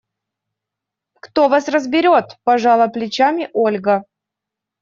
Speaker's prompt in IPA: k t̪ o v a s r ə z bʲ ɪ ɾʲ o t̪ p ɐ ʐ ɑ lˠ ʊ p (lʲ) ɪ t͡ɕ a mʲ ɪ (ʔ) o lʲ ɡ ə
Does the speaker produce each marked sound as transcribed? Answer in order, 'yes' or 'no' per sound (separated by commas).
yes, yes